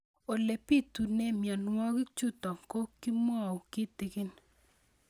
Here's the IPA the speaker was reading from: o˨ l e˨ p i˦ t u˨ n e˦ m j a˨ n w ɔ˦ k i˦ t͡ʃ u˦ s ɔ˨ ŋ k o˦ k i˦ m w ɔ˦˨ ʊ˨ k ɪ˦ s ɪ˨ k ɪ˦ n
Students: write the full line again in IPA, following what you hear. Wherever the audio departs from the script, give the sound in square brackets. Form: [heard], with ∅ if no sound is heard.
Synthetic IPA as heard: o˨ l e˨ p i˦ t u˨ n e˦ m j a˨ n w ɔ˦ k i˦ t͡ʃ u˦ [t] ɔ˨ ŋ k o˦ k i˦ m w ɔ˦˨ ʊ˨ k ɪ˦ [t] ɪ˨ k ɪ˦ n

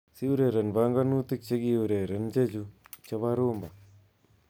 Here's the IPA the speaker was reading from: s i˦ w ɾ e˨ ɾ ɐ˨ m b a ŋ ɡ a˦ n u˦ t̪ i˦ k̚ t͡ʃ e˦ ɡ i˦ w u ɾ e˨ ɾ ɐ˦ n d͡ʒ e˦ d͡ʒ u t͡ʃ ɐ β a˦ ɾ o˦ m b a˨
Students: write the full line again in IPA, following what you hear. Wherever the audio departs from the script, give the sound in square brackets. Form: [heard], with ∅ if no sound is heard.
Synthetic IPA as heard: s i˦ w ɾ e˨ ɾ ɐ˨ [n] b a ŋ ɡ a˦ n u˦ t̪ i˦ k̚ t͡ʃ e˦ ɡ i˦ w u ɾ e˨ ɾ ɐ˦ n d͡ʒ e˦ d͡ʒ u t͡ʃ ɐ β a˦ ɾ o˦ m b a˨

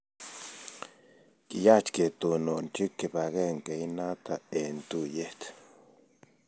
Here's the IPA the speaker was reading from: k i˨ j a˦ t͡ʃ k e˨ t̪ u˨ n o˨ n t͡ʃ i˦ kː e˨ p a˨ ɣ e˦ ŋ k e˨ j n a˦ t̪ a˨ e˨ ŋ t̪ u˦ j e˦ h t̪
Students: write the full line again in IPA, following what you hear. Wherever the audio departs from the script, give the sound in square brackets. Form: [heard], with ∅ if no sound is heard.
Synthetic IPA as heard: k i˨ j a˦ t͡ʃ k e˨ t̪ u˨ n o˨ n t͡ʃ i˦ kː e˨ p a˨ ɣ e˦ ŋ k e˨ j n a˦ t̪ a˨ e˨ [n] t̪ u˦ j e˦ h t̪

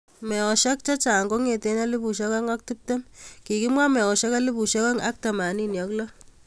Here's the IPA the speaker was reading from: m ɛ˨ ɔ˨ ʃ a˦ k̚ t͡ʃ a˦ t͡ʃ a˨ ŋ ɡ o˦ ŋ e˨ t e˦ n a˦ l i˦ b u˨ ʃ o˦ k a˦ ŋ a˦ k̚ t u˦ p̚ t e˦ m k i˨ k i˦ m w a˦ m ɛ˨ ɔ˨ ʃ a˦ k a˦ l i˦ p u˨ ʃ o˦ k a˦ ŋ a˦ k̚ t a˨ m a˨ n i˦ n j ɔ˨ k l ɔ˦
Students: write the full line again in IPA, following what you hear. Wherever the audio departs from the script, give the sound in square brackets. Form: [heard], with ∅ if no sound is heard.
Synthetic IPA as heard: m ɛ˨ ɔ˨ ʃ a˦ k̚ t͡ʃ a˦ t͡ʃ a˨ ŋ ɡ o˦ ŋ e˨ t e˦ n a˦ l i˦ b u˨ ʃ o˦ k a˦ ŋ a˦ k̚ t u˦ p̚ t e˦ m k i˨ k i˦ m w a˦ m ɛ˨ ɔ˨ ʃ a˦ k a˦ l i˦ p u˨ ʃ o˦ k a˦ ŋ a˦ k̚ t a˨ m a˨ n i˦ n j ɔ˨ k l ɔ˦

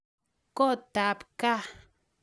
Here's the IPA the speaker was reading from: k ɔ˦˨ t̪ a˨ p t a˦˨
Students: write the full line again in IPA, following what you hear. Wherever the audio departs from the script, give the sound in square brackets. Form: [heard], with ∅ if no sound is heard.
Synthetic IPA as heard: k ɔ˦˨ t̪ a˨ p [k] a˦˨

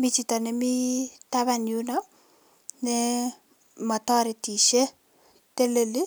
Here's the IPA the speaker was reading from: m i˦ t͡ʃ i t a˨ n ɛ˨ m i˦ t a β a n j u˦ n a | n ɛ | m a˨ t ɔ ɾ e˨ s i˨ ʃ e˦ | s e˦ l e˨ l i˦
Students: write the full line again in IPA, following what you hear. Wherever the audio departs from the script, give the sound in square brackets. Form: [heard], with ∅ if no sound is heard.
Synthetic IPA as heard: m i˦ t͡ʃ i t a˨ n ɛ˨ m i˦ t a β a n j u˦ n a | n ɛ | m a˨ t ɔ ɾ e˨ [t] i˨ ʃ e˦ | [t] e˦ l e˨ l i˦

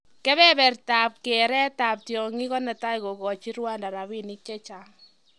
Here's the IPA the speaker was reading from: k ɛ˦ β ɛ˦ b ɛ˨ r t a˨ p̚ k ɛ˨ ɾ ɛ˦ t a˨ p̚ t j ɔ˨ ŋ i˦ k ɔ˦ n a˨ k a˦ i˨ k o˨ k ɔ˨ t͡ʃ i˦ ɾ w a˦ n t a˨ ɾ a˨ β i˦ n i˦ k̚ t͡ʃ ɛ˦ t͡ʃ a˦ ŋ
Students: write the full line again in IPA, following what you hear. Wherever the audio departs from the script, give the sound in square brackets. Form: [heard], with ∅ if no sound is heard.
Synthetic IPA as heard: k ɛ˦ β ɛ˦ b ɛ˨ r t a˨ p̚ k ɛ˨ ɾ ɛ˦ t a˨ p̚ t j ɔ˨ ŋ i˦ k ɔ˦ n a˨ [t] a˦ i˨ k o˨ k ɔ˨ t͡ʃ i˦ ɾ w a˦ n [d] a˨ ɾ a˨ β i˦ n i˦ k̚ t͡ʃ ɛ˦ t͡ʃ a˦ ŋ

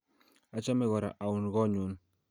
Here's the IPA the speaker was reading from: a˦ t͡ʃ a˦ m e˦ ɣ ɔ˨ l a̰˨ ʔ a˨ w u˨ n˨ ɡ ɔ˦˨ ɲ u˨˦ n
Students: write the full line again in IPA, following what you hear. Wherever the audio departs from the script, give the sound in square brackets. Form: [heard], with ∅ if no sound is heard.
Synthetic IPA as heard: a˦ t͡ʃ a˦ m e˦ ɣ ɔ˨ [ɾ] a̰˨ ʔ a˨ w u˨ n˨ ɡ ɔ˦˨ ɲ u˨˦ n

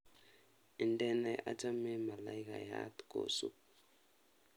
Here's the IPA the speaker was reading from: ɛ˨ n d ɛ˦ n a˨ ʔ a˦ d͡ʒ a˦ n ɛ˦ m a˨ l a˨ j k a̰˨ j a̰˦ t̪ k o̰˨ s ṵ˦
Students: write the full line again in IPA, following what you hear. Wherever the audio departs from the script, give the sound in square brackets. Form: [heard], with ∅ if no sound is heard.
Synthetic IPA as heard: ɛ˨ n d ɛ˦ n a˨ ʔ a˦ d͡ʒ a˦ [m] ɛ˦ m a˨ l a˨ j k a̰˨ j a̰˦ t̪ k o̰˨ s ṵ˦

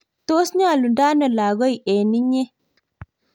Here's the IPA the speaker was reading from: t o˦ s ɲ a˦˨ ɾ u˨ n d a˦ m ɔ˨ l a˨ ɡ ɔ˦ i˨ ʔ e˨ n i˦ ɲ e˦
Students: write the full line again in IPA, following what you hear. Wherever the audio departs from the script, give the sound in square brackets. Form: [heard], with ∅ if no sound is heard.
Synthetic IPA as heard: t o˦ s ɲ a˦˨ [l] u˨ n d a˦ [n] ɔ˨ l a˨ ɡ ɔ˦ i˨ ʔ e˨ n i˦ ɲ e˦

